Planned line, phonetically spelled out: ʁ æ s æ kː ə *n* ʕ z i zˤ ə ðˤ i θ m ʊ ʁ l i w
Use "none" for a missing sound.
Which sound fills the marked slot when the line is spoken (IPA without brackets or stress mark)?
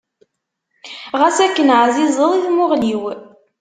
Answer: n